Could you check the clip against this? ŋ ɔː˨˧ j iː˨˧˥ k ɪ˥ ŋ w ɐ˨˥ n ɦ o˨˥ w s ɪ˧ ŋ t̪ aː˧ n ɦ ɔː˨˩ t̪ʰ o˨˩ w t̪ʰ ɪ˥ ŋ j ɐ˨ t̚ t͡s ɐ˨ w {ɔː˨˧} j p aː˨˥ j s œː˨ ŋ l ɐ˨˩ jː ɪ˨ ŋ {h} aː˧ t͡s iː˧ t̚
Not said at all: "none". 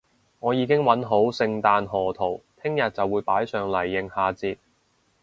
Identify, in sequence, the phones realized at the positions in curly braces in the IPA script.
uː˨˧, h

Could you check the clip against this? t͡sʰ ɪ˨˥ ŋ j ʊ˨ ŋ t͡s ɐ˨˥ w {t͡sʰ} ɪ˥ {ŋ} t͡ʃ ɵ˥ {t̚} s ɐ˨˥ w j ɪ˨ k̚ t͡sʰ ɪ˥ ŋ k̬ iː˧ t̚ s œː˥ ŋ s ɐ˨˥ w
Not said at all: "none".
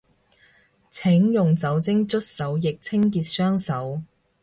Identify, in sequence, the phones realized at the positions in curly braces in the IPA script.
t͡s, ŋ, t̚

